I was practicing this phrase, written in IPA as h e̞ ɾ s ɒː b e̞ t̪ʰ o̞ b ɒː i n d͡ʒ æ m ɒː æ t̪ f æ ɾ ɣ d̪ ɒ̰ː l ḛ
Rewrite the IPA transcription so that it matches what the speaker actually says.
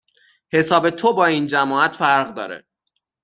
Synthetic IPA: h e̞ s ɒː b e̞ t̪ʰ o̞ b ɒː i n d͡ʒ æ m ɒː æ t̪ f æ ɾ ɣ d̪ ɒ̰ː ɾ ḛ